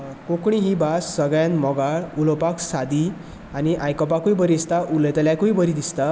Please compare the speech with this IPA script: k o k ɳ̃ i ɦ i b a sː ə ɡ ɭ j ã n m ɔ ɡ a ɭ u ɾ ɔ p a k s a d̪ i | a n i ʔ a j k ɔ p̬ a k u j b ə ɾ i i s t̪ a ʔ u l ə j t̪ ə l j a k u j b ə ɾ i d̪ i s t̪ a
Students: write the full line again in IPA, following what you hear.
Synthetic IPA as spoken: k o k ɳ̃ i ɦ i b a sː ə ɡ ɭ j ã n m ɔ ɡ a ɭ u l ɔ p a k s a d̪ i | a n i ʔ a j k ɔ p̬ a k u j b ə ɾ i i s t̪ a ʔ u l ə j t̪ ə l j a k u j b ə ɾ i d̪ i s t̪ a